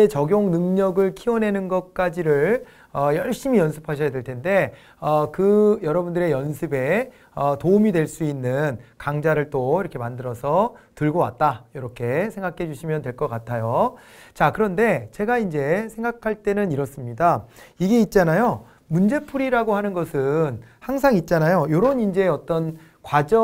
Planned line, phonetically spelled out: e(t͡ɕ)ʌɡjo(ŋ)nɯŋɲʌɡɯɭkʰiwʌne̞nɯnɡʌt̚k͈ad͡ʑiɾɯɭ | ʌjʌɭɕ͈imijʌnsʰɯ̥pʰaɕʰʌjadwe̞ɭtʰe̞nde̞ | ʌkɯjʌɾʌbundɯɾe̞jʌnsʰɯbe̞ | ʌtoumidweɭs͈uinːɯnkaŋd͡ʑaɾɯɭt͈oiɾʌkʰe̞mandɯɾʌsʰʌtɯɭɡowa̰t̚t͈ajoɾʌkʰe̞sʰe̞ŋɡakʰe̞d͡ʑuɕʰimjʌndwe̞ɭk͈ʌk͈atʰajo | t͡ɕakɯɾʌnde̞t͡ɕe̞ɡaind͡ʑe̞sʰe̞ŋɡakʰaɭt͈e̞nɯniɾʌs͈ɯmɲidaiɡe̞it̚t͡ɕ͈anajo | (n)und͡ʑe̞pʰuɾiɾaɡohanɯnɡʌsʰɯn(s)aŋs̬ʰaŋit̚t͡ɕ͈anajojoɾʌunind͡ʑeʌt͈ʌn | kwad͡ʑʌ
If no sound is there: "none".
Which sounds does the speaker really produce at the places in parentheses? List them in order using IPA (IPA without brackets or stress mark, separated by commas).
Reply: t͡ɕ, ŋ, m, h